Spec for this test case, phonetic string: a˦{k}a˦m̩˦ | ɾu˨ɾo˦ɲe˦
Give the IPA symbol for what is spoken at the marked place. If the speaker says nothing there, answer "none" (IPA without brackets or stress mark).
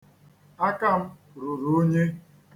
k